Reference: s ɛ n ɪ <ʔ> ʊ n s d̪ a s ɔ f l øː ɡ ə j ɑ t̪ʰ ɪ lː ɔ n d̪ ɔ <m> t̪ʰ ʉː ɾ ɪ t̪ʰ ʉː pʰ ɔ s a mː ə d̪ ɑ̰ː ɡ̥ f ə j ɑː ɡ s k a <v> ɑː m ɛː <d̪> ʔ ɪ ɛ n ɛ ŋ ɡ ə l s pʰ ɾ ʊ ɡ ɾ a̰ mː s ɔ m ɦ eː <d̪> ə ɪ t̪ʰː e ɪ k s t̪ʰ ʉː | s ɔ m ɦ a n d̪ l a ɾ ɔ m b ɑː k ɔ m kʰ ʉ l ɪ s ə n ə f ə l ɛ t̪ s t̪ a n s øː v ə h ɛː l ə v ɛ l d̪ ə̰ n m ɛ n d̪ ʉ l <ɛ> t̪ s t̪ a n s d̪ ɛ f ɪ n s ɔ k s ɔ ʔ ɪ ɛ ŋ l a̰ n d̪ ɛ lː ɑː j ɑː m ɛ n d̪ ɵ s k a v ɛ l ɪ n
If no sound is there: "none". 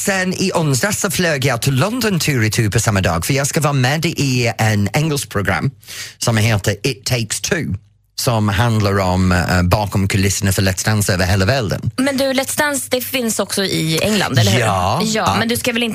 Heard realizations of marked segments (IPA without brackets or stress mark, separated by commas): ʔ, n, v, d̪, t̪, ɛ